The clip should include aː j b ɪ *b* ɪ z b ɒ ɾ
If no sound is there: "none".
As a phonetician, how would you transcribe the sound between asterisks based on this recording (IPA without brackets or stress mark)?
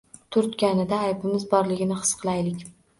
m